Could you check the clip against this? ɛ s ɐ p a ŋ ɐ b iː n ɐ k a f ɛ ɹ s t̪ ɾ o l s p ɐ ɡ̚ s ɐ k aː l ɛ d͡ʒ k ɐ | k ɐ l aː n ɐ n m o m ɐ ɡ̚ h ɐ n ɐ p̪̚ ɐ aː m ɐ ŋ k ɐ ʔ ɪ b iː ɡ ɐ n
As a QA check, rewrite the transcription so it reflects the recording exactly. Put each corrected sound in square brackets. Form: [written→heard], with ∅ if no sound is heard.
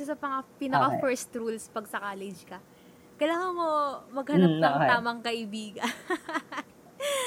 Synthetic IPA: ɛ s ɐ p [a→ɐ] ŋ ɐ [b→p] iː n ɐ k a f ɛ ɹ s t̪ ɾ [o→u] l s p ɐ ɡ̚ s ɐ k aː l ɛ d͡ʒ k ɐ | k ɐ l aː [n→ŋ] ɐ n m o m ɐ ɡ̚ h ɐ n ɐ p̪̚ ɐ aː m ɐ ŋ k ɐ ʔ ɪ b iː ɡ ɐ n